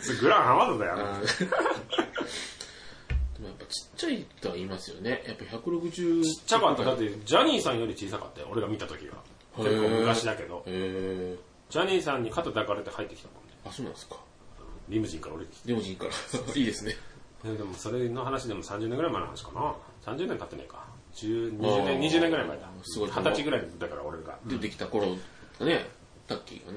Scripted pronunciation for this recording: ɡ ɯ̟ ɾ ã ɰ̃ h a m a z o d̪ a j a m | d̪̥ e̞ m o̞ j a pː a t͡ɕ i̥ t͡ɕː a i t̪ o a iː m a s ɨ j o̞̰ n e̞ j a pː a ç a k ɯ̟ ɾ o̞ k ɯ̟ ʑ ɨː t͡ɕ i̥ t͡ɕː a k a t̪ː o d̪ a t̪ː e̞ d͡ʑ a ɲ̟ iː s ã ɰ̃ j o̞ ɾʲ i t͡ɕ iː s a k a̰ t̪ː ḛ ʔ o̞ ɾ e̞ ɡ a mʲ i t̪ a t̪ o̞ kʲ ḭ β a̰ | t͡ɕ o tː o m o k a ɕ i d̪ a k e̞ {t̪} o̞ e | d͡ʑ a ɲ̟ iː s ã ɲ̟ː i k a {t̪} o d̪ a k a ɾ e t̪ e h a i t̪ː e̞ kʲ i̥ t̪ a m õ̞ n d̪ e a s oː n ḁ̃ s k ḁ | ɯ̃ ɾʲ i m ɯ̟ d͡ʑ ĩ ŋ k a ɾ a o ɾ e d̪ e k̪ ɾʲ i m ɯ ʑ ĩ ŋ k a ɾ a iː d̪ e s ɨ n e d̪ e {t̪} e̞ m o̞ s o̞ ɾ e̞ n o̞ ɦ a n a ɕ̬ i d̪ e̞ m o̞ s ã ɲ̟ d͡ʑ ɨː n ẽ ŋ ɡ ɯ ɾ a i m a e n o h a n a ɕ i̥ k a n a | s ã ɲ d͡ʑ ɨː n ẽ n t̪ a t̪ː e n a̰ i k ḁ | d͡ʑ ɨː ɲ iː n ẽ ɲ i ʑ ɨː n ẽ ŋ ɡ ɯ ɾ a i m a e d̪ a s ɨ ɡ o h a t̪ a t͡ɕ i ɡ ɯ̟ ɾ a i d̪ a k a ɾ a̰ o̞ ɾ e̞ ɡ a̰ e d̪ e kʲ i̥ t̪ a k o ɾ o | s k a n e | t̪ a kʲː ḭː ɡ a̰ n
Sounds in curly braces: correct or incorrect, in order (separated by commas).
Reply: incorrect, correct, incorrect